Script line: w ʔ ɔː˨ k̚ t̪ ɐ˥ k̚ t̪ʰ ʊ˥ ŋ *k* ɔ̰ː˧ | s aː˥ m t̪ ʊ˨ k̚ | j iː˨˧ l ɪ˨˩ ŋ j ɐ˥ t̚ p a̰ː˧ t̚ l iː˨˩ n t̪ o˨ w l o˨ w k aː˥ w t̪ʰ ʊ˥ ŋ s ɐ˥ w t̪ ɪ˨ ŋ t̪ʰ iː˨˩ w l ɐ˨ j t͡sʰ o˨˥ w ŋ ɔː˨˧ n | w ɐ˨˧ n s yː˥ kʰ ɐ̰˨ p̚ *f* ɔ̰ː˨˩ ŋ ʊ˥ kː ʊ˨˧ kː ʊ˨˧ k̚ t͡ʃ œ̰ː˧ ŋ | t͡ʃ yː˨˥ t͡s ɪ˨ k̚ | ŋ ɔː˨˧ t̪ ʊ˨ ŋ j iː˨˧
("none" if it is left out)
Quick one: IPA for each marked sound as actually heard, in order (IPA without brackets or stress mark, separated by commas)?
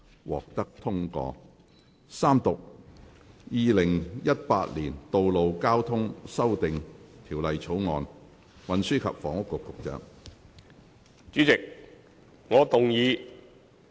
k, f